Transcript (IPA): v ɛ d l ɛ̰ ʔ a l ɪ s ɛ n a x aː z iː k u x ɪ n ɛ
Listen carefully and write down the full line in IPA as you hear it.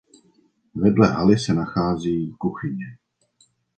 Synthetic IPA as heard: v ɛ d l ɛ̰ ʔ a l ɪ s ɛ n a x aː z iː k u x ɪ ɲ ɛ